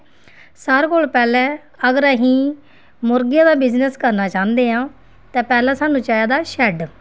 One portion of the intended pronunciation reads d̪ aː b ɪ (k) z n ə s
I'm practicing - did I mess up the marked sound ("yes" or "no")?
yes